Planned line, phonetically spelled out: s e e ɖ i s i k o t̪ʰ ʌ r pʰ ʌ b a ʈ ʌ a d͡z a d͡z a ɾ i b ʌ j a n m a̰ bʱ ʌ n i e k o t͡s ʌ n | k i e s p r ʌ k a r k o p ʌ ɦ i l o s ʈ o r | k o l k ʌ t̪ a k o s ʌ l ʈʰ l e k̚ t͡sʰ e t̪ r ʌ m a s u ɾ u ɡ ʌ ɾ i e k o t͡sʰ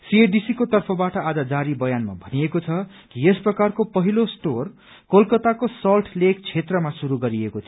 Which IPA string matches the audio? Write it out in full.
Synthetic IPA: s i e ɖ i s i k o t̪ ʌ r pʰ ʌ b a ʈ ʌ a d͡z a d͡z a ɾ i b ʌ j a n m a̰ bʱ ʌ n i e k o t͡sʰ ʌ | k i e s p r ʌ k a r k o p ʌ ɦ i l o s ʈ o r | k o l k ʌ t̪ a k o s ʌ l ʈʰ l e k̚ t͡sʰ e t̪ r ʌ m a s u ɾ u ɡ ʌ ɾ i e k o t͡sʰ